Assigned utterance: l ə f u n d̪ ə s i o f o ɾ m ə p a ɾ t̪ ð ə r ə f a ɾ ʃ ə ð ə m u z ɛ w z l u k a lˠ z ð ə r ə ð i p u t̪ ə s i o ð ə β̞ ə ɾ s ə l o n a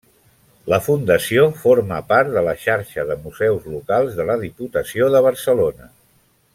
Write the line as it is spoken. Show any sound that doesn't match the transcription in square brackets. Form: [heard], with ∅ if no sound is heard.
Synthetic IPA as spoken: l ə f u n d̪ ə s i o f o ɾ m ə p a ɾ t̪ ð ə [l] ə [ʃ] a ɾ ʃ ə ð ə m u z ɛ w z l u k a lˠ z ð ə [l] ə ð i p u t̪ ə s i o ð ə β̞ ə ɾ s ə l o n [ə]